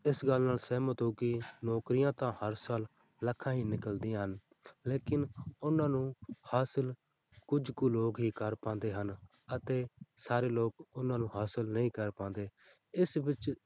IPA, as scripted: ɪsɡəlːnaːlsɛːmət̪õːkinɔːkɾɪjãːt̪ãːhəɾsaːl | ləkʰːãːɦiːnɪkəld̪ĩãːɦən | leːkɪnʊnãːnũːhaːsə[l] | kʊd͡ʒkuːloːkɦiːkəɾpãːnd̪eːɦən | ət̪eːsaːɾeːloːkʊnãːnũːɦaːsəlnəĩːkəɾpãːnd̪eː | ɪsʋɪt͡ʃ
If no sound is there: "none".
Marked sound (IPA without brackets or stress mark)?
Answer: l